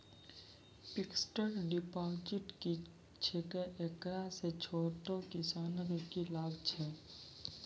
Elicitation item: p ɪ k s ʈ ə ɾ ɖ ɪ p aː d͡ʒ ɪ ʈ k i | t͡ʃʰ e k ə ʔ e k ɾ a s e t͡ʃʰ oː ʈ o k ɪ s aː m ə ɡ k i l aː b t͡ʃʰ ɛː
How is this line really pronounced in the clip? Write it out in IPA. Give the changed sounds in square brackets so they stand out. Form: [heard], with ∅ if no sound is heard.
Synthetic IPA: p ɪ k s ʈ ə ɾ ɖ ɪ p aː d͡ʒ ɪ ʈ k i | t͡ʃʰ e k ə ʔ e k ɾ a s e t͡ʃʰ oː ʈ o k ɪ s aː [n] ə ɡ k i l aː b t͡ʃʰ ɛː